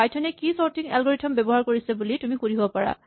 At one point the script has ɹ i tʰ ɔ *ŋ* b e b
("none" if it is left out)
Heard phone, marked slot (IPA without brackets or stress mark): m